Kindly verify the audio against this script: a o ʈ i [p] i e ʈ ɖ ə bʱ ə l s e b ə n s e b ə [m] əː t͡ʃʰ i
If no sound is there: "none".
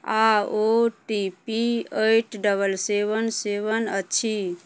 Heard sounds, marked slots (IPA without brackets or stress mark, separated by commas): p, n